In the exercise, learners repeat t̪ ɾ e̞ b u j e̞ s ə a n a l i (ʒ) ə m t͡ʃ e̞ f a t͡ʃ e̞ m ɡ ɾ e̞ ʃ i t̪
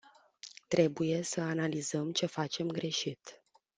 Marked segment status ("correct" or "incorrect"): incorrect